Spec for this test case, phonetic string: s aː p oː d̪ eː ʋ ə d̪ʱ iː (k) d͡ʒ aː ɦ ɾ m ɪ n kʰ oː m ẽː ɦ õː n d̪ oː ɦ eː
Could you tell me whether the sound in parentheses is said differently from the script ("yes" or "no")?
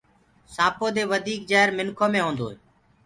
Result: no